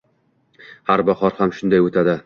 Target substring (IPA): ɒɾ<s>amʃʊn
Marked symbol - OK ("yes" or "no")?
no